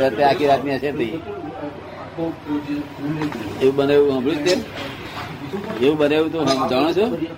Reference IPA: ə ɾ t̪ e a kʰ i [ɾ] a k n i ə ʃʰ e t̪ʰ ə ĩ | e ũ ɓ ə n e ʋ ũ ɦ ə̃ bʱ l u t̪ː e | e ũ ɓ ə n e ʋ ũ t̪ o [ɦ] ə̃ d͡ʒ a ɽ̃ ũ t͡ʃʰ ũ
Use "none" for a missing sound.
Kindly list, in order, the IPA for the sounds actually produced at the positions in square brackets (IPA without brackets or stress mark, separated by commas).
ɾ, ɦ